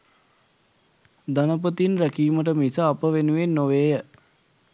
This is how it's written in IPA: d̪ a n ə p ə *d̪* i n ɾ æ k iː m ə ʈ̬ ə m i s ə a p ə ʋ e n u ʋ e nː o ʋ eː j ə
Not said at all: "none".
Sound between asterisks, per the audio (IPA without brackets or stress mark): t̪